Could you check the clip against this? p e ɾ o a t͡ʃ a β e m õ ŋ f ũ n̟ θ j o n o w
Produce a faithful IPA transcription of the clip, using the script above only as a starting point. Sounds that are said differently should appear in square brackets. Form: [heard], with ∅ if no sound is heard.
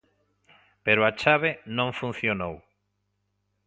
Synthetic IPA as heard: p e ɾ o a t͡ʃ a β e [n] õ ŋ f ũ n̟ θ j o n o w